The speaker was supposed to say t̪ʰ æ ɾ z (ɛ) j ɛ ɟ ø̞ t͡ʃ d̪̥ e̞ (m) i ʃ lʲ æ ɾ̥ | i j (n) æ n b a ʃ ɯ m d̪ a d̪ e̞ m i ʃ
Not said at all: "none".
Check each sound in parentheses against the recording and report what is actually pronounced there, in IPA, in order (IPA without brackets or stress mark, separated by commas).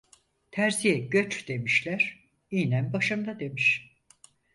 i, m, n